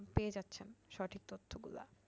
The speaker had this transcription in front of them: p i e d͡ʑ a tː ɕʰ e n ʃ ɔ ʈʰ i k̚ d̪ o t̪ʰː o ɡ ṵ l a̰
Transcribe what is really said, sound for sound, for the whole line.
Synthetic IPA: p e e d͡ʑ a tː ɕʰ e n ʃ ɔ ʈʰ i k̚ t̪ o t̪ʰː o ɡ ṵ l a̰